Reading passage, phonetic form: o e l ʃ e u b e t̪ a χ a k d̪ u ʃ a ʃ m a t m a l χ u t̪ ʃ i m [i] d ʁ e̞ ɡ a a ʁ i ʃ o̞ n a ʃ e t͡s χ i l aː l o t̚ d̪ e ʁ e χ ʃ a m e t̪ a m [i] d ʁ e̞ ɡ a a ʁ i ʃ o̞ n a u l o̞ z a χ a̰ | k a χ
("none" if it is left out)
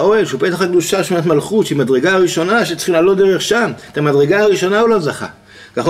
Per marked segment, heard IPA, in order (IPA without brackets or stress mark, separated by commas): a, a